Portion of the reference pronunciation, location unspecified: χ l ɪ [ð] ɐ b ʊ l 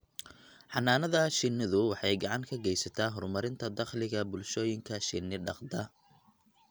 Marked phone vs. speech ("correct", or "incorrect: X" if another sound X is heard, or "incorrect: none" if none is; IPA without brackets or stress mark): incorrect: ɣ